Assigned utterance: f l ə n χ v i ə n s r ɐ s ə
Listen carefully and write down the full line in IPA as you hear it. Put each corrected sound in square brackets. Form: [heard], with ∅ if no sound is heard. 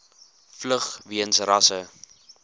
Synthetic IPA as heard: f l ə [∅] χ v i ə n s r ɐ s ə